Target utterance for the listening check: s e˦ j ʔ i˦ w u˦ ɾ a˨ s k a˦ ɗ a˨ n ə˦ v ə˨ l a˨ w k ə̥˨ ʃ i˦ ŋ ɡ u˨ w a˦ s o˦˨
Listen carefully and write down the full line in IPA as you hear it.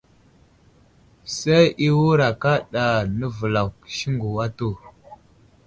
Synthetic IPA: s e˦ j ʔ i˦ w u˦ ɾ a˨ k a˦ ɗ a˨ n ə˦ v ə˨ l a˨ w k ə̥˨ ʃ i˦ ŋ ɡ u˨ w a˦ t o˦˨